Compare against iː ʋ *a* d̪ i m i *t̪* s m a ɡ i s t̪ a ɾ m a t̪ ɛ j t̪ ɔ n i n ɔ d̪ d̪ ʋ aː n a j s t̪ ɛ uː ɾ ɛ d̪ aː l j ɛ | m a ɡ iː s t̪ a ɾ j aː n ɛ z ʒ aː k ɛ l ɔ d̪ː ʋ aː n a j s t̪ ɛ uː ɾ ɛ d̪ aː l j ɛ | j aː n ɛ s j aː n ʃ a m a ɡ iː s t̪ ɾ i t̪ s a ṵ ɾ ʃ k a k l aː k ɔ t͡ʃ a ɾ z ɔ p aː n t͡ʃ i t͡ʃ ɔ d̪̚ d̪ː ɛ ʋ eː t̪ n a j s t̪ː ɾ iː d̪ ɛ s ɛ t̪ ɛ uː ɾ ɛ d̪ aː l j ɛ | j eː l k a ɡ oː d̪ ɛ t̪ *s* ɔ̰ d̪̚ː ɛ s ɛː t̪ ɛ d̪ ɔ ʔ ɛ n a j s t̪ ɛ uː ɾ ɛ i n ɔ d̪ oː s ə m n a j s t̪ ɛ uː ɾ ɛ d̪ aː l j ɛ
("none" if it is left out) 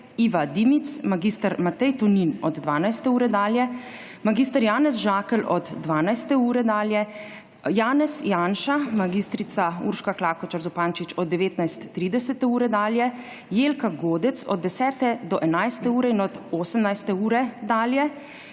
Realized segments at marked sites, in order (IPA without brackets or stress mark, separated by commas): a, t̪, s